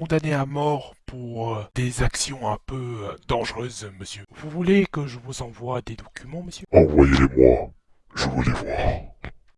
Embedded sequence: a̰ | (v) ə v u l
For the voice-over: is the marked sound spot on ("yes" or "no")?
no